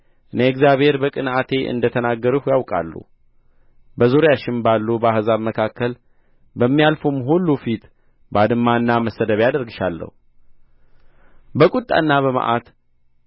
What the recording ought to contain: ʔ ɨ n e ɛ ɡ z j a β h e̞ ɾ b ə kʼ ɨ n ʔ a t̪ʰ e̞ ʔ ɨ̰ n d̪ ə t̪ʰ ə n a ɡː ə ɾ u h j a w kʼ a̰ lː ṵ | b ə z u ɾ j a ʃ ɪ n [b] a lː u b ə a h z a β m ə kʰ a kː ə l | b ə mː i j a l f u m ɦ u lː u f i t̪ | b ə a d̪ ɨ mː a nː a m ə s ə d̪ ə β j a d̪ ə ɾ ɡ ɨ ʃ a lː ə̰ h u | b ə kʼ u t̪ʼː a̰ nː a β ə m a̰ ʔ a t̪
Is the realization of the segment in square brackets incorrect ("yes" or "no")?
no